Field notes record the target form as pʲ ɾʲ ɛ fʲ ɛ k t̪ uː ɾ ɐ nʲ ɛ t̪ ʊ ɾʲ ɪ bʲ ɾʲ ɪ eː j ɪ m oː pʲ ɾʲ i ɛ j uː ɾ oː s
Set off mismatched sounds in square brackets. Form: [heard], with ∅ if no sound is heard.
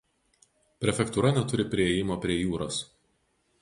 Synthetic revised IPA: pʲ ɾʲ ɛ fʲ ɛ k t̪ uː ɾ ɐ nʲ ɛ t̪ ʊ ɾʲ ɪ [pʲ] ɾʲ ɪ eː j ɪ m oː pʲ ɾʲ i ɛ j uː ɾ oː s